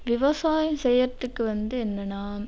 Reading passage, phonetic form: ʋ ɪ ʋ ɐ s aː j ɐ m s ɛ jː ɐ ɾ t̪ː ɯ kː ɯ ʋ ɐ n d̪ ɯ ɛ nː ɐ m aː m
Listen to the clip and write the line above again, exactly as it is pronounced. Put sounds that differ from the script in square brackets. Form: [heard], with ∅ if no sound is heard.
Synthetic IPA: ʋ ɪ ʋ ɐ s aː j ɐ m s ɛ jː ɐ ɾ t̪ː ɯ kː ɯ ʋ ɐ n d̪ ɯ ɛ nː ɐ [n] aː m